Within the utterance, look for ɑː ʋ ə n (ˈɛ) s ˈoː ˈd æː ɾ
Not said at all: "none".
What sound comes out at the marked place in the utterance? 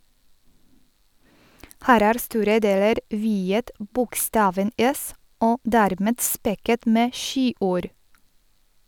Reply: ɛ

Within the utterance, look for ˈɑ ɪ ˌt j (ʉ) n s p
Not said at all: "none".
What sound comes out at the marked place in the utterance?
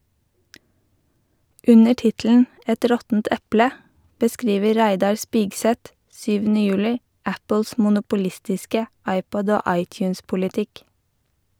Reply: ʉː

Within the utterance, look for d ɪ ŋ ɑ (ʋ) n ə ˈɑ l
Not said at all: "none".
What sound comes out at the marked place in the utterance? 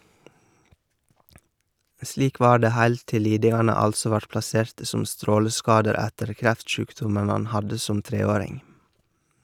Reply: none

